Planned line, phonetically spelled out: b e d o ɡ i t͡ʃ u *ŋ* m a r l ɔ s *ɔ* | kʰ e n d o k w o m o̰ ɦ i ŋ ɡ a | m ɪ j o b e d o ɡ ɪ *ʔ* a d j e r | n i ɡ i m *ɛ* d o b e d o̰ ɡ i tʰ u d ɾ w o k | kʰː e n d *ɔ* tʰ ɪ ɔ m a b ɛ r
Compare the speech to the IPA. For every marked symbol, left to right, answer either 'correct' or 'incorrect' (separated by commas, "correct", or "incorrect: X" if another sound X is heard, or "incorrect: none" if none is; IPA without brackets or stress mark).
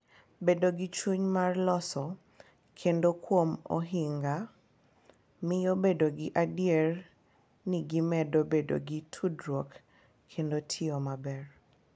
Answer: incorrect: ɲ, correct, correct, correct, incorrect: o